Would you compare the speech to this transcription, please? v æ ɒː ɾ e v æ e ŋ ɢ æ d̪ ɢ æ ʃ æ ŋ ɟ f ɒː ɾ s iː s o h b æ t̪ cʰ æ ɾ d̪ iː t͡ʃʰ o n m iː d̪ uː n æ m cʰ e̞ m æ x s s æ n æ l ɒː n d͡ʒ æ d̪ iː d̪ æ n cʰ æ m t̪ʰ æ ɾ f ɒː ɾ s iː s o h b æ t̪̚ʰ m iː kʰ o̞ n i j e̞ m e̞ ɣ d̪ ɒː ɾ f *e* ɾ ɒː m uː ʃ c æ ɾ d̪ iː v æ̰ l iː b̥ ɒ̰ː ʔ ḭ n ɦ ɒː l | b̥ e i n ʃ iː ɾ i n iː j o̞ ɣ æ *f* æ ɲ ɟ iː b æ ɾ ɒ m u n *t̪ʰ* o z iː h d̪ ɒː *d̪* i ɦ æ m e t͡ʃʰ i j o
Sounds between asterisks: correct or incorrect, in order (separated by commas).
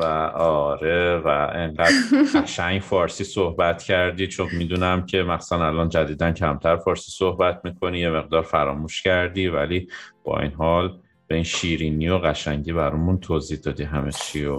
incorrect, incorrect, correct, correct